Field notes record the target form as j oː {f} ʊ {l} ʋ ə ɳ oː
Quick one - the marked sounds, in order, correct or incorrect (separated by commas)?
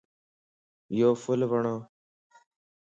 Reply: correct, correct